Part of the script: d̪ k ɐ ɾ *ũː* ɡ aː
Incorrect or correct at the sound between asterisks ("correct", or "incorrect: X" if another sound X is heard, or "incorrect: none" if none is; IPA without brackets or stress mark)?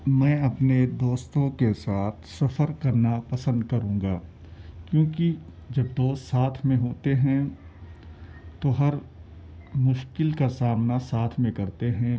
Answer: correct